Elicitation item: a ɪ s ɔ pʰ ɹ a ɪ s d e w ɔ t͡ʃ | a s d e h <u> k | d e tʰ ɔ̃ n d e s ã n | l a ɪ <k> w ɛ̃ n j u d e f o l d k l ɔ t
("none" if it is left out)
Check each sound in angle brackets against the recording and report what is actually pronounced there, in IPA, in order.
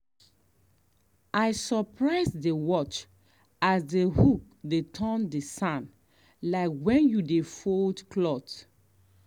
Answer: u, k

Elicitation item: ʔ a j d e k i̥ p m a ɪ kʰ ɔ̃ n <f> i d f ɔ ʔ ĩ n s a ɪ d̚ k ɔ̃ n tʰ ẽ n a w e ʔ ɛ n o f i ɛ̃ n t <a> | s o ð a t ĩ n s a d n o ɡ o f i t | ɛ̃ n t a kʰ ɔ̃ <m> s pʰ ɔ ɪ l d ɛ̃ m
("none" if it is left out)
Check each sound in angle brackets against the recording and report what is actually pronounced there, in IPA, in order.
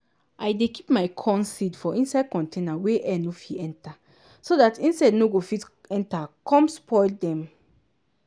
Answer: s, a, m

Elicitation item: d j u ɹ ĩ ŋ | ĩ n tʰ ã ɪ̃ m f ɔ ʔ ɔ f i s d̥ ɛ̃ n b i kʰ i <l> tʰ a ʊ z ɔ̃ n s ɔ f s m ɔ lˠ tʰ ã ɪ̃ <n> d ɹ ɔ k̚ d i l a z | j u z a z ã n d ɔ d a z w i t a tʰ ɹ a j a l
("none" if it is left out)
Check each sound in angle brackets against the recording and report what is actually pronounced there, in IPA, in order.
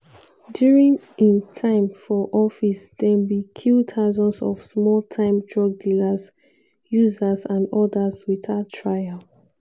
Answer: l, m

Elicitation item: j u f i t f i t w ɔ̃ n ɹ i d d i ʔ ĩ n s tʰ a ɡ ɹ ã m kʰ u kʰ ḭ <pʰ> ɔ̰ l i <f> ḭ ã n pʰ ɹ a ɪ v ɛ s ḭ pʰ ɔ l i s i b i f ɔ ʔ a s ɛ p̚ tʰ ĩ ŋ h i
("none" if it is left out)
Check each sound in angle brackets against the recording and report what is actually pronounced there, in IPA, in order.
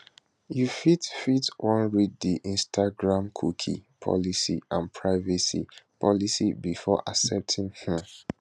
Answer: pʰ, s

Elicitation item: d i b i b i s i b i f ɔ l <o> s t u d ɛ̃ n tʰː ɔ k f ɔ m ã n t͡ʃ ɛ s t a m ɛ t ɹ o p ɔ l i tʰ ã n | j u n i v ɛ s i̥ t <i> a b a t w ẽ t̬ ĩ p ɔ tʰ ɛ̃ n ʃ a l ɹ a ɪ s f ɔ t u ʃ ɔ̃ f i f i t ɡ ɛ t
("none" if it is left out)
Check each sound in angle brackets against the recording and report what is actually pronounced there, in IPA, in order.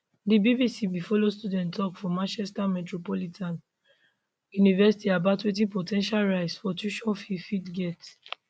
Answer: o, i

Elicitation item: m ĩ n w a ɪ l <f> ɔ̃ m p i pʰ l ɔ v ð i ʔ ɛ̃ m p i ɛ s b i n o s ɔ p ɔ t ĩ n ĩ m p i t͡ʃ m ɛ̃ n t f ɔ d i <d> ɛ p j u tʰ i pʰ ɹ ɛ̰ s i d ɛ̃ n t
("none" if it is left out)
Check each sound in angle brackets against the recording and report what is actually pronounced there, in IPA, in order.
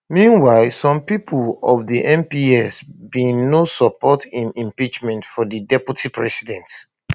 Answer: s, d

